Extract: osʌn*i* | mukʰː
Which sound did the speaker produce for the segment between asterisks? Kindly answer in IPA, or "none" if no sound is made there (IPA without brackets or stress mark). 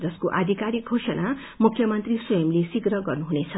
a